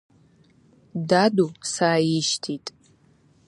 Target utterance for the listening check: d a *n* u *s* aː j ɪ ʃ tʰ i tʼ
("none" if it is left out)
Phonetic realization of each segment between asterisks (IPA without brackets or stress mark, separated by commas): d, s